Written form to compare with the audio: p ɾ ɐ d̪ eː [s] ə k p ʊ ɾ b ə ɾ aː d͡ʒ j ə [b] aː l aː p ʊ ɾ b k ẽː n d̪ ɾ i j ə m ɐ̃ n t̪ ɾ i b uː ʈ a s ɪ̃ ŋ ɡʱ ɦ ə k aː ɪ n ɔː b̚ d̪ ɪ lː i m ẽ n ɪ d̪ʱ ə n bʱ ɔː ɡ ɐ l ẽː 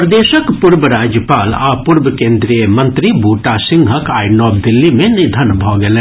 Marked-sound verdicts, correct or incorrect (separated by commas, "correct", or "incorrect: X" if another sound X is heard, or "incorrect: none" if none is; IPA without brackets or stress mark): incorrect: ʃ, incorrect: p